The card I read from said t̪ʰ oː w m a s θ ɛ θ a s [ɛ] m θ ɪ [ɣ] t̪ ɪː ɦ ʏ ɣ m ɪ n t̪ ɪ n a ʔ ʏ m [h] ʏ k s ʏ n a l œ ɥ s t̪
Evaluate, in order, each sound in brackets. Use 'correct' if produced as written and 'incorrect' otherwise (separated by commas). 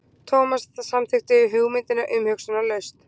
incorrect, incorrect, correct